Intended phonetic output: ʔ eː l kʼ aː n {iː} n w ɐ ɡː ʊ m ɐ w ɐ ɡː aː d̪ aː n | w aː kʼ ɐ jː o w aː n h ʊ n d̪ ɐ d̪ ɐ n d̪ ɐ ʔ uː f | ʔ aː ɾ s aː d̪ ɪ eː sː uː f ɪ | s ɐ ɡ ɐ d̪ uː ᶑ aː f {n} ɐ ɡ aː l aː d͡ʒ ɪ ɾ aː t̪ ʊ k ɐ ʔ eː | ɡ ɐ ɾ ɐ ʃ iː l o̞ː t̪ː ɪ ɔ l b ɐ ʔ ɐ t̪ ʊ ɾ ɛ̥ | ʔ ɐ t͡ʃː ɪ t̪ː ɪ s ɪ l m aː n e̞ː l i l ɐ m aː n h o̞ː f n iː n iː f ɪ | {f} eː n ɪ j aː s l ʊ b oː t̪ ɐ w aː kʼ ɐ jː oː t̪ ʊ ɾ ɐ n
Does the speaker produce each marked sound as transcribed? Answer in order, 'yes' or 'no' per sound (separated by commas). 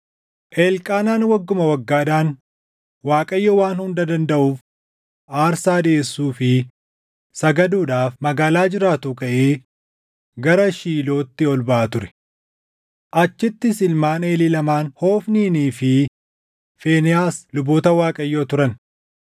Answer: no, no, yes